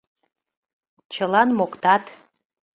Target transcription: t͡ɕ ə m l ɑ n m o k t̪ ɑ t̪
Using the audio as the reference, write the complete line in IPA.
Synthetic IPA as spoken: t͡ɕ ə l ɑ n m o k t̪ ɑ t̪